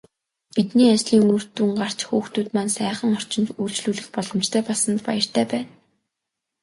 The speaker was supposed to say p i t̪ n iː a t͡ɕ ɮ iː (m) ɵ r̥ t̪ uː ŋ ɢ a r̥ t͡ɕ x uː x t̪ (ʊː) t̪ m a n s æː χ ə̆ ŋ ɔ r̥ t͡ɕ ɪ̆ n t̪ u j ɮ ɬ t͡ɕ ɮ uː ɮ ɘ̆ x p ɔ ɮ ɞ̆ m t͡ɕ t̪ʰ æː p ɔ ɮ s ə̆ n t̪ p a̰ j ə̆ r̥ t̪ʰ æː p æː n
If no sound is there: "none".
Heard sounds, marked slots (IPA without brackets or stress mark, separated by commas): ŋ, uː